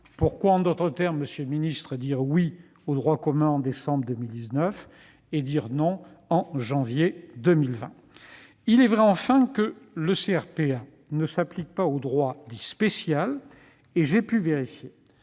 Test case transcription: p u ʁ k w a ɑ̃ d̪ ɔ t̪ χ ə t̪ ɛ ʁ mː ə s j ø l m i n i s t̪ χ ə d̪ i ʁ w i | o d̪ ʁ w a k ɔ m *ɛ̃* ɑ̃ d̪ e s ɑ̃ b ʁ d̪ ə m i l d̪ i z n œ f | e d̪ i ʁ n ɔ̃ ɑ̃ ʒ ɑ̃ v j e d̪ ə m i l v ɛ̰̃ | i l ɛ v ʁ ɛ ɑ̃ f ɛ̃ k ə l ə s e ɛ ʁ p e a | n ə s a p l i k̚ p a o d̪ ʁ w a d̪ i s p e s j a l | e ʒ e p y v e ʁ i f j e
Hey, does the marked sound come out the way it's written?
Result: yes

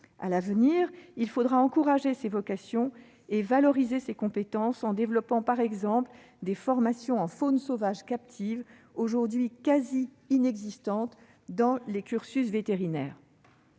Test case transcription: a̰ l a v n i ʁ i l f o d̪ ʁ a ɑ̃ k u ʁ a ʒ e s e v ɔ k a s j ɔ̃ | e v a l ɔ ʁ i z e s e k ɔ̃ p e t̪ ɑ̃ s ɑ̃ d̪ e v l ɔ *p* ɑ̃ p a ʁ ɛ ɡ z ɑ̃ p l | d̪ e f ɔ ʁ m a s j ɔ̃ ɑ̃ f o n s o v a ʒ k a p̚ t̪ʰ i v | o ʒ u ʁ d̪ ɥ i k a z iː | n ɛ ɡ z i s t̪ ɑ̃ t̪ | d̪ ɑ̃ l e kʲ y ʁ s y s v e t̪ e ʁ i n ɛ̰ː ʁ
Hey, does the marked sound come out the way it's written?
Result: yes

